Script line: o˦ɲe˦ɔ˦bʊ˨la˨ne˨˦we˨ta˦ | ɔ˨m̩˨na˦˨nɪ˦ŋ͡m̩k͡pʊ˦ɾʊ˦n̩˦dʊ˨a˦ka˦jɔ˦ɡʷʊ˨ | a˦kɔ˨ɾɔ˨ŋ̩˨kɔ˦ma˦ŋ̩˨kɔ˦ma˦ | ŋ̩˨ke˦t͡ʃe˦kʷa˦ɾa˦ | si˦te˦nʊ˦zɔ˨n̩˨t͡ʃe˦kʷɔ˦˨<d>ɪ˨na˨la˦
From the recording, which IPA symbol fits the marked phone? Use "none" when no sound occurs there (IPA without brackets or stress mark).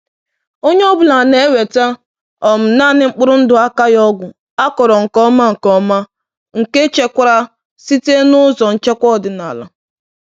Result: d